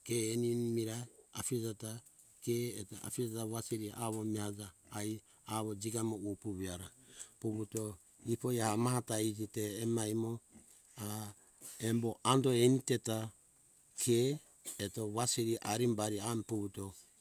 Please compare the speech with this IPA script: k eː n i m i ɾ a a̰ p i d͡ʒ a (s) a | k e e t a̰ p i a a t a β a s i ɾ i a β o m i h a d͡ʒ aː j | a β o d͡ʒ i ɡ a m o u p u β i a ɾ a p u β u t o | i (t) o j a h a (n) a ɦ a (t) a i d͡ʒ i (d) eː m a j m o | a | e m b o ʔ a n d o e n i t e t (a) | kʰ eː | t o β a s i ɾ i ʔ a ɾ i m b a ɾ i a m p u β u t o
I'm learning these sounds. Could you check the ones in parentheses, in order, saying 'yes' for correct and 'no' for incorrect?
no, no, no, yes, no, yes

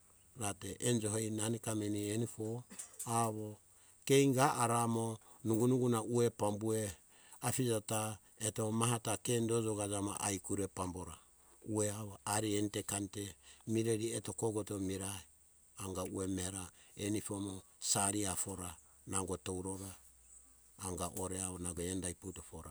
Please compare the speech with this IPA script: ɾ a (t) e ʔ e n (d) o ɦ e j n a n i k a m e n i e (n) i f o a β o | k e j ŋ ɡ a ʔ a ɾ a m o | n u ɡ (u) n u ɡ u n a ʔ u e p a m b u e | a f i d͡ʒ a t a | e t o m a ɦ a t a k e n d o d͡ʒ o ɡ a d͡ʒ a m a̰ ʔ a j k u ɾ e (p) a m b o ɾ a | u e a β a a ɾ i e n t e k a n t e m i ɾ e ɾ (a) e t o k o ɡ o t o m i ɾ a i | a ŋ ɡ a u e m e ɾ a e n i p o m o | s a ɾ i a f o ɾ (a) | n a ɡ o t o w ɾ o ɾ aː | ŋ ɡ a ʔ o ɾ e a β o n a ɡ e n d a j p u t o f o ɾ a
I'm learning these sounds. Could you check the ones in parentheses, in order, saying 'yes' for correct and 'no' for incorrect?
yes, no, yes, yes, yes, no, yes

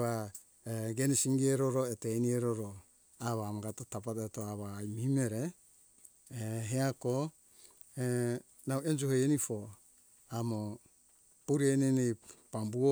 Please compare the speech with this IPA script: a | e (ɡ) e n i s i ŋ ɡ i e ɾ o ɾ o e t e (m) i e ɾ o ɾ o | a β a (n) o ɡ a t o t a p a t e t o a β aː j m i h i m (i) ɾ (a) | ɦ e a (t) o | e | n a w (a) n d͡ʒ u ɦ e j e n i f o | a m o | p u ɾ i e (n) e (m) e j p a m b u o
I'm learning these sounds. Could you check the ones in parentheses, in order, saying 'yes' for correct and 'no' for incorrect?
yes, no, no, no, no, no, no, yes, no

